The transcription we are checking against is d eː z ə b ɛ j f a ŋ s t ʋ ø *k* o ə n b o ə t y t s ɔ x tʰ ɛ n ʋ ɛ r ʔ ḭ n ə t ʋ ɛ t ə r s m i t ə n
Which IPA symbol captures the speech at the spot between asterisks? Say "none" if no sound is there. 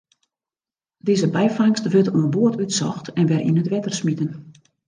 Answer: t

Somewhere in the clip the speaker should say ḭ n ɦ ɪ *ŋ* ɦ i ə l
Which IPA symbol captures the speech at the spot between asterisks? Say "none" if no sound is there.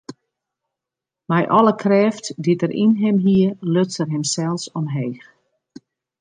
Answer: m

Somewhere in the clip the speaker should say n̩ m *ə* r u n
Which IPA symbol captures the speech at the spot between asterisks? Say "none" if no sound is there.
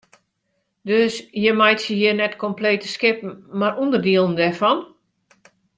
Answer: a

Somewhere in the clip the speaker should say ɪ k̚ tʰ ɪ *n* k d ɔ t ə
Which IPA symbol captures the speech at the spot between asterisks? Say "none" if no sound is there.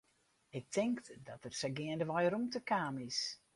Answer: ŋ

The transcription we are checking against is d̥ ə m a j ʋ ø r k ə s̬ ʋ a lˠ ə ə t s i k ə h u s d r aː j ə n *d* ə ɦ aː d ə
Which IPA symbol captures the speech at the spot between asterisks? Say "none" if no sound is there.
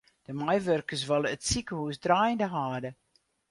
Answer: d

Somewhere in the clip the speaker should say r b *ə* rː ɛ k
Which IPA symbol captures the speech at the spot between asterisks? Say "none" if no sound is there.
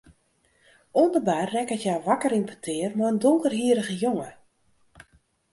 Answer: a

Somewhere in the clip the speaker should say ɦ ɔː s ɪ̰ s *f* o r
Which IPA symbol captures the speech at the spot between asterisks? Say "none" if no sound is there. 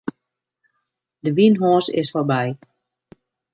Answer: f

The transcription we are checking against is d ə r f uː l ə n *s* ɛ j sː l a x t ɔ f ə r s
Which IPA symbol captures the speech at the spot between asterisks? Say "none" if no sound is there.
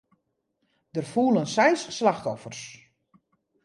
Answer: s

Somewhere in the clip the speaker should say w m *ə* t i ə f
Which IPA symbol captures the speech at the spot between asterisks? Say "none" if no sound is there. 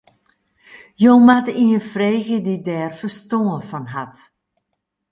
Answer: a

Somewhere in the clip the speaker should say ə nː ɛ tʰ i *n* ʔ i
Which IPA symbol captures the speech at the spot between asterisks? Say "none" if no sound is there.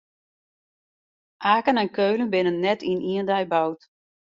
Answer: n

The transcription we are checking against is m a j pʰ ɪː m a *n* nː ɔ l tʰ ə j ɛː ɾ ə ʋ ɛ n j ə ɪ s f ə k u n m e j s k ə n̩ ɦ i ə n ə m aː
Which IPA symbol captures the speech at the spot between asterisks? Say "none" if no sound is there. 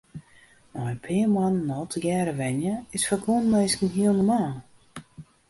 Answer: n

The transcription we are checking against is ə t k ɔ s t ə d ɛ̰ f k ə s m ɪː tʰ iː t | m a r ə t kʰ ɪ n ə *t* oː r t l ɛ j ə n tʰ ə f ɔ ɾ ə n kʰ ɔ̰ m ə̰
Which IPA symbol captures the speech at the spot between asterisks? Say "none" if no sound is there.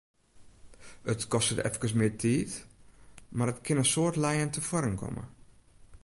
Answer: s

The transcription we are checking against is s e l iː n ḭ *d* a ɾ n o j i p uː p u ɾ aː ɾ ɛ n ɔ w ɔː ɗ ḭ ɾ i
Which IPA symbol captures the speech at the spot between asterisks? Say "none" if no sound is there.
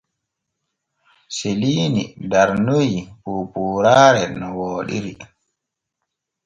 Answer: d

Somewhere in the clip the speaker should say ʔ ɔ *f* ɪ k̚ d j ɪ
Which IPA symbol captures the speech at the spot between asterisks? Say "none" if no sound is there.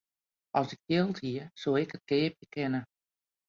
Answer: s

